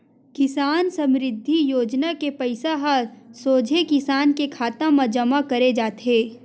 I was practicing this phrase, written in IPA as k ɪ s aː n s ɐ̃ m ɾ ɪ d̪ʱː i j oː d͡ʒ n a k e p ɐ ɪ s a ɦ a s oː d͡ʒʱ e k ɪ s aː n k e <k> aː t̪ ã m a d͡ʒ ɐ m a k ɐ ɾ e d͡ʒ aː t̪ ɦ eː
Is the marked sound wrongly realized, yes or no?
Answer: yes